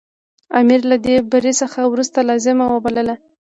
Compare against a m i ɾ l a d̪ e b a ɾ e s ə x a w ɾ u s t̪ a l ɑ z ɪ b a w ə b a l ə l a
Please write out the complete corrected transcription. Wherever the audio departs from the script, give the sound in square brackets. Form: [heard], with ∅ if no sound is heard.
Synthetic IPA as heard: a m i ɾ l a d̪ e b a ɾ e s ə x a w ɾ u s t̪ a l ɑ z ɪ [m] a w ə b a l ə l a